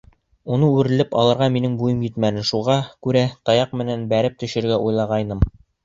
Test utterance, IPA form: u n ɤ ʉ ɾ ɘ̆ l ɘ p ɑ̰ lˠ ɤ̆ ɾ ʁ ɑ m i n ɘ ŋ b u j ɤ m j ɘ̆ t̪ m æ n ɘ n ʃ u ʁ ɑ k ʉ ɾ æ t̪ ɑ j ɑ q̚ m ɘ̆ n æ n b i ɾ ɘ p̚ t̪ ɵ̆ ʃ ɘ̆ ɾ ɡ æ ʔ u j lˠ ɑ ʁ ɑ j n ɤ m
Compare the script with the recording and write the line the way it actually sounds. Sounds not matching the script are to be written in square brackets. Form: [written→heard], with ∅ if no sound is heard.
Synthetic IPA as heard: u n ɤ ʉ ɾ ɘ̆ l ɘ p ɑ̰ lˠ ɤ̆ ɾ ʁ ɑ m i n ɘ ŋ b u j ɤ m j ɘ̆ t̪ m æ n ɘ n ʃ u ʁ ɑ k ʉ ɾ æ t̪ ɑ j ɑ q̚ m ɘ̆ n æ n b [i→æ] ɾ ɘ p̚ t̪ ɵ̆ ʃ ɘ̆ ɾ ɡ æ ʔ u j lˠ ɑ ʁ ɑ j n ɤ m

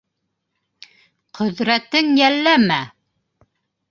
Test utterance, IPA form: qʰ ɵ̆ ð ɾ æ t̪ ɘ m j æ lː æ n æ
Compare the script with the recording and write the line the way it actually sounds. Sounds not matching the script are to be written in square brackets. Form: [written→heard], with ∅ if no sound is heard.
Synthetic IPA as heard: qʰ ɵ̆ ð ɾ æ t̪ ɘ [m→ŋ] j æ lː æ [n→m] æ

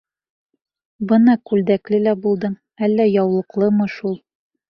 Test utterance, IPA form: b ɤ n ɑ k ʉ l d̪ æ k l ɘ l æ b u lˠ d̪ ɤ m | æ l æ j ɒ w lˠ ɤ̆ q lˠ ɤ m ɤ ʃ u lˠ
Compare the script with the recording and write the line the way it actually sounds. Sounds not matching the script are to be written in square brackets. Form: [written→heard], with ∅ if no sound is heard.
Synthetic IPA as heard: b ɤ n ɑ k ʉ l d̪ æ k l ɘ l æ b u lˠ d̪ ɤ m | æ [l→lː] æ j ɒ w lˠ ɤ̆ q lˠ ɤ m ɤ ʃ u lˠ

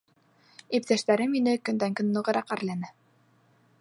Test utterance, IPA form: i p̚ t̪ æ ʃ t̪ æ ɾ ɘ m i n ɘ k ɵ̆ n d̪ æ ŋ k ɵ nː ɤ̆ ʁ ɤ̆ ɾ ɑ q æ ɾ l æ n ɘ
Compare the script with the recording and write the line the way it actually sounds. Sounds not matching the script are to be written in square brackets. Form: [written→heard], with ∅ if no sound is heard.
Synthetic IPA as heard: i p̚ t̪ æ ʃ t̪ æ ɾ ɘ m i n ɘ k ɵ̆ n d̪ æ ŋ k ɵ nː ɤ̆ ʁ ɤ̆ ɾ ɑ q æ ɾ l æ n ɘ

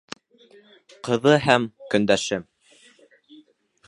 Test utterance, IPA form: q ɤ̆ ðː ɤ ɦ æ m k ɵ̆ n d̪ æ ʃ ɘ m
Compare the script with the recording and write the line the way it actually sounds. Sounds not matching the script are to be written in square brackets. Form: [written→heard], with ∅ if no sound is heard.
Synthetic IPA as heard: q ɤ̆ [ðː→ð] ɤ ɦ æ m k ɵ̆ n d̪ æ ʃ ɘ m

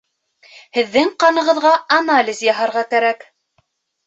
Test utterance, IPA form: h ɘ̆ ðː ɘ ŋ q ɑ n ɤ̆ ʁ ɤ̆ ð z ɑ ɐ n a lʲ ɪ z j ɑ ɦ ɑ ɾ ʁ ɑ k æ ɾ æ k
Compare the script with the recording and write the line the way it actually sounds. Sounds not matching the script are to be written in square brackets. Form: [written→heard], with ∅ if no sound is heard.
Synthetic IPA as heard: h ɘ̆ ðː ɘ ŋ q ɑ n ɤ̆ ʁ ɤ̆ ð [z→ʁ] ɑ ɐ n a lʲ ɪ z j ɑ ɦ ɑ ɾ ʁ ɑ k æ ɾ æ k

